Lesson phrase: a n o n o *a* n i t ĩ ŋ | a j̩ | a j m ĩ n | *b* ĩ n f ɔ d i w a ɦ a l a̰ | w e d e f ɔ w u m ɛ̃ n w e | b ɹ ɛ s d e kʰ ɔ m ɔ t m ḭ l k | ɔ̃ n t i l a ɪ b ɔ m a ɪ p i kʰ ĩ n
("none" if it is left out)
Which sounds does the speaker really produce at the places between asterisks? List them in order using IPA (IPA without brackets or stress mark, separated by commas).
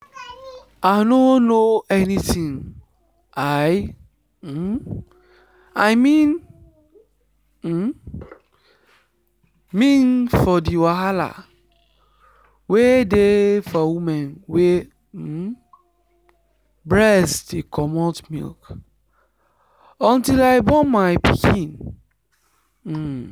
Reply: ɛ, m